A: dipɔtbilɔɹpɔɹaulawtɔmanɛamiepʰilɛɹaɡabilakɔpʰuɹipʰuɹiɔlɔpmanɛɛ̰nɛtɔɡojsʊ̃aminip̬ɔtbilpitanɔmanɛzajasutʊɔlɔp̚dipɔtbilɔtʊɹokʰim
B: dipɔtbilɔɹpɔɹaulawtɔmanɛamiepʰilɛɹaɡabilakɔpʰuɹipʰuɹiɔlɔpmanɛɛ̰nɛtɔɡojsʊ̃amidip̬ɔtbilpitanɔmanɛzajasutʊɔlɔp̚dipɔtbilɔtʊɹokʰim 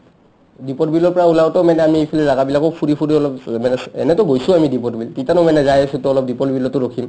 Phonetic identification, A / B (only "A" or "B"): B